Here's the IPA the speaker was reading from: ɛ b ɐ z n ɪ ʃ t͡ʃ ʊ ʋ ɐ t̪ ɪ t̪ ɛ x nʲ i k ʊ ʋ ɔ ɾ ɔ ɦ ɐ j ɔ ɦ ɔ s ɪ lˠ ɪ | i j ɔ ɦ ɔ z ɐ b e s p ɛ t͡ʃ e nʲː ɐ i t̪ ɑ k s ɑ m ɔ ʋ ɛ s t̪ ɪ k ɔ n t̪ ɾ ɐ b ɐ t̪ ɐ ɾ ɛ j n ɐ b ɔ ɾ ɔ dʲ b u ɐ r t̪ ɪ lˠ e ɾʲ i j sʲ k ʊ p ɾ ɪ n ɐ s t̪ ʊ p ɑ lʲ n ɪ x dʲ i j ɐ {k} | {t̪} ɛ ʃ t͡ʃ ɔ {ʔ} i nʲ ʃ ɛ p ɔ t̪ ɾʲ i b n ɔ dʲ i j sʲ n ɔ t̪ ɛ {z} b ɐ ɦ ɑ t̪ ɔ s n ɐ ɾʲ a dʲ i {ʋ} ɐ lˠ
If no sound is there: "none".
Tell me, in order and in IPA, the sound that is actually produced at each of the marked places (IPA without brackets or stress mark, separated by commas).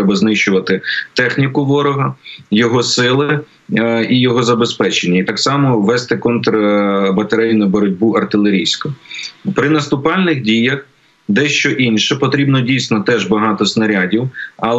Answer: x, d̪, ʔ, ʒ, w